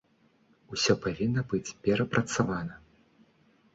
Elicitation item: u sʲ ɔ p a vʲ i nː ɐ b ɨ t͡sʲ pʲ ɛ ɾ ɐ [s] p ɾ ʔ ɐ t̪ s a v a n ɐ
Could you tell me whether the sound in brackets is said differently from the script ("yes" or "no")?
yes